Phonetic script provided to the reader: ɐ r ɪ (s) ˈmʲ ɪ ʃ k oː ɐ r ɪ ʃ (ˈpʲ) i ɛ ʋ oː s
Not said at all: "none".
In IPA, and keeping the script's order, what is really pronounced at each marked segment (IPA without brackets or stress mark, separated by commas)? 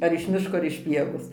ʃ, pʲ